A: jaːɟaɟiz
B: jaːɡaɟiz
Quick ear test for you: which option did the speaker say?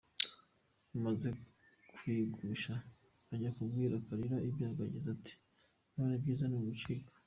B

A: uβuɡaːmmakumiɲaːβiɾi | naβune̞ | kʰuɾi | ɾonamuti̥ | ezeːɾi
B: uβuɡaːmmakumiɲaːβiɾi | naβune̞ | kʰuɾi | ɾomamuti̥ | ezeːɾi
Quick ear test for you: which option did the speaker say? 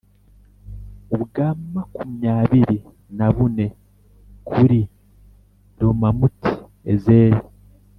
B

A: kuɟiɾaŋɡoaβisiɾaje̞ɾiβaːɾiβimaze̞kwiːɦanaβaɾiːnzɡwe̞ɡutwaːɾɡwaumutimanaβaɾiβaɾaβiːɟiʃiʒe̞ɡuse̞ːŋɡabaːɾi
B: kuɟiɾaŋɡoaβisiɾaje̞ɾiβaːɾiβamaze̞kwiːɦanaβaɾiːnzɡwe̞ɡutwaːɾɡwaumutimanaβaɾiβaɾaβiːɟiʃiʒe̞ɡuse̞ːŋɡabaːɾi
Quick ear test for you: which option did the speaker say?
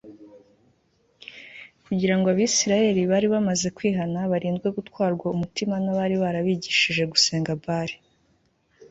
B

